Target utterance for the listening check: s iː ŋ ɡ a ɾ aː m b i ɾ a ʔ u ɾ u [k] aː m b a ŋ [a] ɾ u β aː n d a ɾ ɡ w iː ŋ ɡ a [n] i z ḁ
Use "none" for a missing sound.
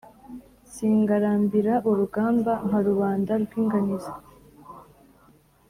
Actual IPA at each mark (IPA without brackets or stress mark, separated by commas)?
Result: ɡ, a, n